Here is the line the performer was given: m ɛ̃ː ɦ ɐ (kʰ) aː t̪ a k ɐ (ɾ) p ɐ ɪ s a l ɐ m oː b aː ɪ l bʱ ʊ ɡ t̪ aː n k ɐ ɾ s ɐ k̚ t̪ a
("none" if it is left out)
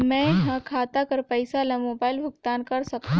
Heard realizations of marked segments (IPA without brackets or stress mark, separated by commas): kʰ, ɾ